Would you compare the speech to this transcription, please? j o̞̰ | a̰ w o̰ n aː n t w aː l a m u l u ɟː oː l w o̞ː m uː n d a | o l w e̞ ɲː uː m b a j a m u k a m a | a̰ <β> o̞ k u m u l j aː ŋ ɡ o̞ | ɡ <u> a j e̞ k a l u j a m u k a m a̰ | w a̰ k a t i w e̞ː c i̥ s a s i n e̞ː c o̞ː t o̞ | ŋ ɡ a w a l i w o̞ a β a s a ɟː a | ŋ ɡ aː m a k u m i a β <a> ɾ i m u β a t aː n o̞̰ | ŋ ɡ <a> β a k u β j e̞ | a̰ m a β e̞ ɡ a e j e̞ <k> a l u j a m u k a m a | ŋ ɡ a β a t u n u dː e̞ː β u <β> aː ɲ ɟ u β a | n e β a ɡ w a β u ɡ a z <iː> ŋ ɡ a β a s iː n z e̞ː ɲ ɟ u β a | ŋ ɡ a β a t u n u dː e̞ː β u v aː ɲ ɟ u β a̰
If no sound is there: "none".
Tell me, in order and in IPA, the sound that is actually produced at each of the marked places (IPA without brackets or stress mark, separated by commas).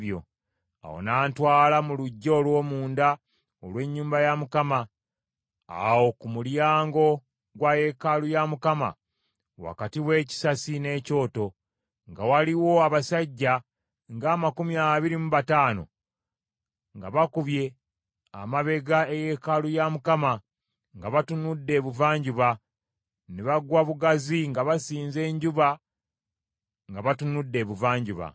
w, w, i, a, k, v, i